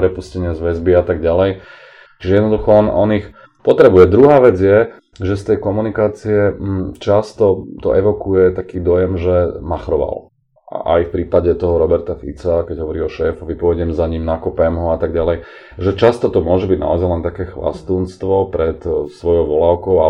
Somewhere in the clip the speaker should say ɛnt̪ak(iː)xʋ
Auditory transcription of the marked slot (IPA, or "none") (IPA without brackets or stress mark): ɛː